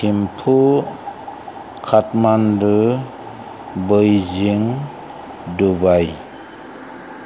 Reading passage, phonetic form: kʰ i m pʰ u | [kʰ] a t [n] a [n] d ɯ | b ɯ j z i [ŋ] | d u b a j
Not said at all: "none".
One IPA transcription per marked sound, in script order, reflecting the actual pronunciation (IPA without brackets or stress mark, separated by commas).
kʰ, m, n, ŋ